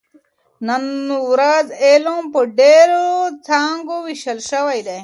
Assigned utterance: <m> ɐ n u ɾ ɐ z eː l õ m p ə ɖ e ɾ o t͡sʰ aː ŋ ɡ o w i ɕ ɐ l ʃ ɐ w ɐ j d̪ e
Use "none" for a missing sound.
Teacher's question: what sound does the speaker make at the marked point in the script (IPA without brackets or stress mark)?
n